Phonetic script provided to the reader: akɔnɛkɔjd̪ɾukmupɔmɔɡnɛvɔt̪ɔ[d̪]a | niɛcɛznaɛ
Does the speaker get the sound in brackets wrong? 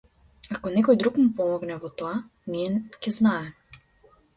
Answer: yes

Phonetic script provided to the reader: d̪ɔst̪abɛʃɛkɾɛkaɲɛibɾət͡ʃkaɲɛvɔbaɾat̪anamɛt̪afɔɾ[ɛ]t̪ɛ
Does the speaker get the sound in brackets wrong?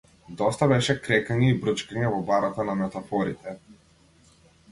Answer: yes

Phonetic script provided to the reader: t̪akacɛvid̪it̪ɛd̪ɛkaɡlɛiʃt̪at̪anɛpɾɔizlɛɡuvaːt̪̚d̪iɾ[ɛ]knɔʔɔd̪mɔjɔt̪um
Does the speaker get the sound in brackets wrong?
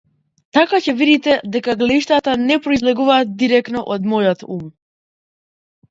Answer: no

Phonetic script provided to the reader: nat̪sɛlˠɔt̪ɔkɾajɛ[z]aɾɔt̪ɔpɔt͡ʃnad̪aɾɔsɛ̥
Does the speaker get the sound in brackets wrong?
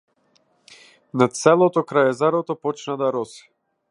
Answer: no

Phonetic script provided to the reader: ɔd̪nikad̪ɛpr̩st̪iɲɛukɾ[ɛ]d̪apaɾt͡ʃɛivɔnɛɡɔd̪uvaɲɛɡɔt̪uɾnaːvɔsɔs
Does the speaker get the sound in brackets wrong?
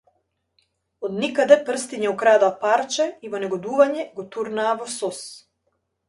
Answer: yes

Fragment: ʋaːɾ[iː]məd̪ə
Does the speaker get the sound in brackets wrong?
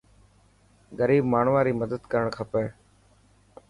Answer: no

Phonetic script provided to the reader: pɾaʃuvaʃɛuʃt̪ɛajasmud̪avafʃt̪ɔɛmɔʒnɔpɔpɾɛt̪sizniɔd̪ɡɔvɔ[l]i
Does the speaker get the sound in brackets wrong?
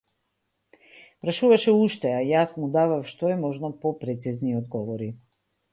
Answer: yes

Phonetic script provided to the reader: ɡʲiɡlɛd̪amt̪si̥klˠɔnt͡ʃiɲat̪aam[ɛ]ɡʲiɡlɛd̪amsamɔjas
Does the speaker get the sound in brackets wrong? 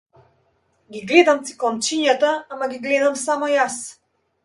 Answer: yes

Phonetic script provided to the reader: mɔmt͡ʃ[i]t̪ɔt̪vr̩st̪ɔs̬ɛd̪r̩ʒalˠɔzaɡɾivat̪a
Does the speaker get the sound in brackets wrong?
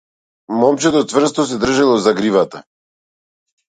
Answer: yes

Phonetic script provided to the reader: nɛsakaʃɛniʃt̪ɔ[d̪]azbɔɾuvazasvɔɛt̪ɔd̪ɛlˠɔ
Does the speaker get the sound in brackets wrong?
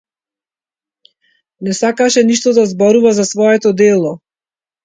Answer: no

